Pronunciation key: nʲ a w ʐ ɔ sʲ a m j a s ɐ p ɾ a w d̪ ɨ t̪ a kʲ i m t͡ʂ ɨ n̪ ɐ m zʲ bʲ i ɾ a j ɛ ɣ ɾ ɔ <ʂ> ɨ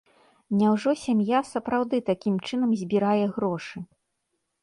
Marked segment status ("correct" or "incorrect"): correct